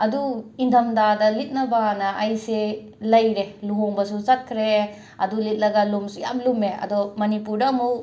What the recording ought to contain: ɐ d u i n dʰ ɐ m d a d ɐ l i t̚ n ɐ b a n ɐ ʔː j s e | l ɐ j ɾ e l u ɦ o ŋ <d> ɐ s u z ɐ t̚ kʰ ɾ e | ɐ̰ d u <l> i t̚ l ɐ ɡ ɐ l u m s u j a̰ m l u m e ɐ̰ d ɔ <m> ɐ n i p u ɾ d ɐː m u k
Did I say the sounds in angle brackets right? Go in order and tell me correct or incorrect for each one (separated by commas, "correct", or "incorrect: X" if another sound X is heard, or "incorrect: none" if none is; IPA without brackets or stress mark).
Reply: incorrect: b, correct, correct